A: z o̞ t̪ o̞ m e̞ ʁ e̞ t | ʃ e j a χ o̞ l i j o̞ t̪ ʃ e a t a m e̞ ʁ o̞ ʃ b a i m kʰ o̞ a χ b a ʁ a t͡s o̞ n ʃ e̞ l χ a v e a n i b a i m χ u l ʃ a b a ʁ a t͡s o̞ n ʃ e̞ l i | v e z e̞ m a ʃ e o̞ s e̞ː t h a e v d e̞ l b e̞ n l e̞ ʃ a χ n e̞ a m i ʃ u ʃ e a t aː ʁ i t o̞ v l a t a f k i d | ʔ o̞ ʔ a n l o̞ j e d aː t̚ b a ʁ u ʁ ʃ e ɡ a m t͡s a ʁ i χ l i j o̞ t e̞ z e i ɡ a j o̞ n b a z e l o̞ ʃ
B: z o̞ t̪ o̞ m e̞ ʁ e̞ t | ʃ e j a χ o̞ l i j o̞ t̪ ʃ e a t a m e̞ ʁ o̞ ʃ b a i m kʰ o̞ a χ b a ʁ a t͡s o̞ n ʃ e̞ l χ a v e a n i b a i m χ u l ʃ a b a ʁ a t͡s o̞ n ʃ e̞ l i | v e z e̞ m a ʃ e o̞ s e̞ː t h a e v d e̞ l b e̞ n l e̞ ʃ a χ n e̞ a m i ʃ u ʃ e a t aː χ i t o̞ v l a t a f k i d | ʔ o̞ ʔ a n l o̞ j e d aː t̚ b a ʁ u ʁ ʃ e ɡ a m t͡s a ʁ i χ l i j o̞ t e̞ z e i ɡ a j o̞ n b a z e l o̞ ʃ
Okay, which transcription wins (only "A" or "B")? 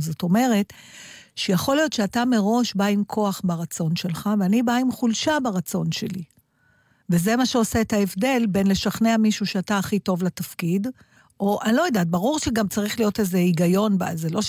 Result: B